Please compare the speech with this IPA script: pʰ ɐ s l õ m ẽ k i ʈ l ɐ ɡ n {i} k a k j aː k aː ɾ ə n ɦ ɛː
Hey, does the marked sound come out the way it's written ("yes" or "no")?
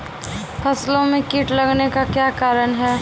no